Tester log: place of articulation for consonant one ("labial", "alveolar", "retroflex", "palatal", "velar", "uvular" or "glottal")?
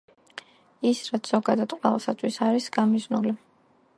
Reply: alveolar